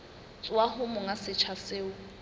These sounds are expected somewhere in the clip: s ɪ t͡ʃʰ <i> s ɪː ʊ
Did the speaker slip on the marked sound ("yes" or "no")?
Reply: yes